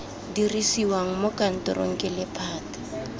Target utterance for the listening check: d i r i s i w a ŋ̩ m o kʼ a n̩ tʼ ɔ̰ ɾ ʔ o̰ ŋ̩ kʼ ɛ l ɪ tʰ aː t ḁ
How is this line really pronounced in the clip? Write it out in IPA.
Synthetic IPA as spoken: d i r i s i w a ŋ̩ m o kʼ a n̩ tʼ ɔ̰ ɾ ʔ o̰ ŋ̩ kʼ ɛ l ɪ pʰ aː t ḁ